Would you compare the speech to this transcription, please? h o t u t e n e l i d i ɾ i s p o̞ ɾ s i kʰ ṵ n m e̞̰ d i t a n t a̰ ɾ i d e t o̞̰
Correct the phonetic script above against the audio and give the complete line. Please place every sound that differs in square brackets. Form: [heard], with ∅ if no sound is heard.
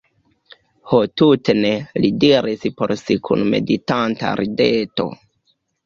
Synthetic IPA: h o t u t e n e l i d i ɾ i s p o̞ ɾ s i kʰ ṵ n m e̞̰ d i t a n t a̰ ɾ i d e t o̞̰

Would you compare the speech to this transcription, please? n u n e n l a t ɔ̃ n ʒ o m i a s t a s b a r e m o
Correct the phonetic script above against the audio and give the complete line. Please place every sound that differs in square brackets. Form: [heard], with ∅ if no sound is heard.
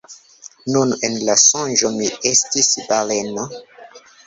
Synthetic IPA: n u n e n l a [s] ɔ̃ n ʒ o m i [e] s t [i] s b a [l] e [n] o

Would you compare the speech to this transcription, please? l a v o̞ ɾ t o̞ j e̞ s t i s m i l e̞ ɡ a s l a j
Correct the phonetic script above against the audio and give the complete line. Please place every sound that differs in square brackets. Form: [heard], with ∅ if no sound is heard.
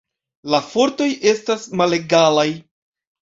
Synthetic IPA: l a [f] o̞ ɾ t o̞ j e̞ s t [a] s m [a] l e̞ ɡ a [∅] l a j

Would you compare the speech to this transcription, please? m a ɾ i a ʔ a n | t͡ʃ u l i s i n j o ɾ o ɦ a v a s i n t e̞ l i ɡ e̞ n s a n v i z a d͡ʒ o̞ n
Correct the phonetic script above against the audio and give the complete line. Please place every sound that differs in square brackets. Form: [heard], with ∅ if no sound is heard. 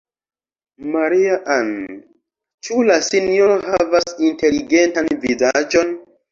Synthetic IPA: m a ɾ i a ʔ a n | t͡ʃ u l [a] s i n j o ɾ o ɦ a v a s i n t e̞ l i ɡ e̞ n [t] a n v i z a d͡ʒ o̞ n

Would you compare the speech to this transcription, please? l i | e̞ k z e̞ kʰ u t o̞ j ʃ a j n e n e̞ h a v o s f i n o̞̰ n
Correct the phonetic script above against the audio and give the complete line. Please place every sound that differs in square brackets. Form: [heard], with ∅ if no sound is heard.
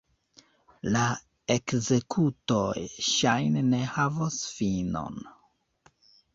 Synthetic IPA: l [a] | e̞ k z e̞ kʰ u t o̞ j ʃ a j n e n e̞ h a v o s f i n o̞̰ n

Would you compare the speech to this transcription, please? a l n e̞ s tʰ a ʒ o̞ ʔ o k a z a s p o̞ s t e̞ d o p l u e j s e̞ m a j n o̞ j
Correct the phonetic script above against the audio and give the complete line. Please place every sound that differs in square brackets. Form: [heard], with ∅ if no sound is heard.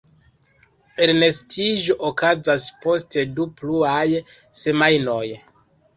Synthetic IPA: [e] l n e̞ s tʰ [i] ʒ o̞ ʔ o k a z a s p o̞ s t e̞ d [u] p l u [a] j s e̞ m a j n o̞ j

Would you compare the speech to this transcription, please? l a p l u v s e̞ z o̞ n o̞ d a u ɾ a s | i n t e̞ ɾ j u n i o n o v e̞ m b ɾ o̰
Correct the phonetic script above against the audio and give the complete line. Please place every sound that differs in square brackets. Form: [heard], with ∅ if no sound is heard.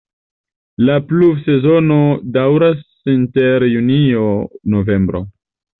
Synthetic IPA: l a p l u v s e̞ z o̞ n o̞ d a [w] ɾ a s | i n t e̞ ɾ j u n i o n o v e̞ m b ɾ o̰

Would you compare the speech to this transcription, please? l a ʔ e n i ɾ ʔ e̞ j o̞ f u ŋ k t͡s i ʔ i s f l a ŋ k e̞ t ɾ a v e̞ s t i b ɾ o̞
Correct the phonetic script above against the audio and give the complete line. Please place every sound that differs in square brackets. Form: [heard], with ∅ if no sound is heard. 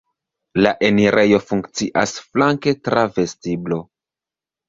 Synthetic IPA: l a ʔ e n i ɾ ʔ e̞ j o̞ f u ŋ k t͡s i ʔ [a] s f l a ŋ k e̞ t ɾ a v e̞ s t i b [l] o̞

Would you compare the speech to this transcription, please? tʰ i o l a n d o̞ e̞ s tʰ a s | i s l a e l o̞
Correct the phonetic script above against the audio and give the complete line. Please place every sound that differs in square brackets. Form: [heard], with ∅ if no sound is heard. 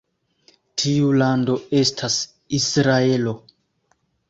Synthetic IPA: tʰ i [u] l a n d o̞ e̞ s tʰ a s | i s [ɾ] a e l o̞

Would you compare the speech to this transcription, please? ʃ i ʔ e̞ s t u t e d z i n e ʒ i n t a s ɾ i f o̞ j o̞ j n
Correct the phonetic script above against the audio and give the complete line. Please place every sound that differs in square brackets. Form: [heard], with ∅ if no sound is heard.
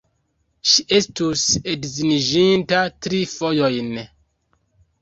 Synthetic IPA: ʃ i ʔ e̞ s t u [s] e d z i n [i] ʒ i n t a [t] ɾ i f o̞ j o̞ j n

